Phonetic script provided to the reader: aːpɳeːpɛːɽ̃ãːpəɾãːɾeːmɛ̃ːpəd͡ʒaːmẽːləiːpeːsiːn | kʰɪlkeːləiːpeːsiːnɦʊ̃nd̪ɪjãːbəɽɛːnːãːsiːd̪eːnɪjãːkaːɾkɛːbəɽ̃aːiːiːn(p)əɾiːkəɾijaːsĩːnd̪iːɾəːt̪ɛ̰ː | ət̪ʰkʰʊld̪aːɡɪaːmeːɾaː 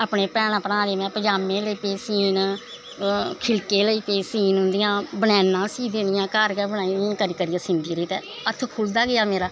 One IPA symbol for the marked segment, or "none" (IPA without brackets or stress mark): k